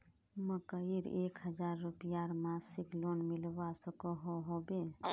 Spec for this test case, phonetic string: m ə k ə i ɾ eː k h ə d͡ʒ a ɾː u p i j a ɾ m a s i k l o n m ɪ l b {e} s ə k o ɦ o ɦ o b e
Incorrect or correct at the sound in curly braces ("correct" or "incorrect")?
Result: incorrect